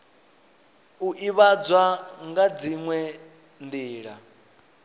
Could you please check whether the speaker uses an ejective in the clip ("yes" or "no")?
no